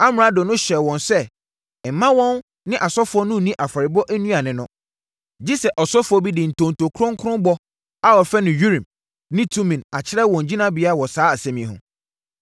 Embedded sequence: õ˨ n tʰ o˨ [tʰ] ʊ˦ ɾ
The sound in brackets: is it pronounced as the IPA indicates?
no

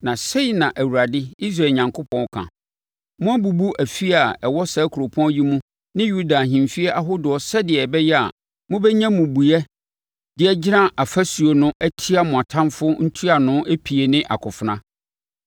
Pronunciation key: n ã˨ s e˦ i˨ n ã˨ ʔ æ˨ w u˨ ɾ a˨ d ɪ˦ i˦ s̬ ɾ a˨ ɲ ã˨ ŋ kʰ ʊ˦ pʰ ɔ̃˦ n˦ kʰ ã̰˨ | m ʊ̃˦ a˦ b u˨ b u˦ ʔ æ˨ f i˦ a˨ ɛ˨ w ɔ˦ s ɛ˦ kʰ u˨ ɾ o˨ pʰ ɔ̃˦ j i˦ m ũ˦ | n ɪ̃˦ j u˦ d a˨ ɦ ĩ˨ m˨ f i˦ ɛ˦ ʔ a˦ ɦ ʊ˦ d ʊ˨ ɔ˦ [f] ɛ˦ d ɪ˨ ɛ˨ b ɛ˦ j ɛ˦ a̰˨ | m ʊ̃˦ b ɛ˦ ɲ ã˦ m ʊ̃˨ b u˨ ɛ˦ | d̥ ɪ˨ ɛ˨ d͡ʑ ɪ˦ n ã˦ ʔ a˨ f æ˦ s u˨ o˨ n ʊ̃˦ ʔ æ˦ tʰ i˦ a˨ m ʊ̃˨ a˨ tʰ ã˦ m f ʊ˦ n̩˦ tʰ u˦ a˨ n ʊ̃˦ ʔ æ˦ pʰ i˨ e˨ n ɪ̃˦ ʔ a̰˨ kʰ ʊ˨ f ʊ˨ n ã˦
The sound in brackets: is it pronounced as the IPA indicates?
no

